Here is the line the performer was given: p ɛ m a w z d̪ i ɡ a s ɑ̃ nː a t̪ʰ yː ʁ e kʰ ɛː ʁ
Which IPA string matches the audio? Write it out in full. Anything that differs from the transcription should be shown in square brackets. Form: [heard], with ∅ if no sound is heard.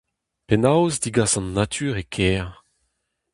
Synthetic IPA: p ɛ [n] a w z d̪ i ɡ a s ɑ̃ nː a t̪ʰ yː ʁ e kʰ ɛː ʁ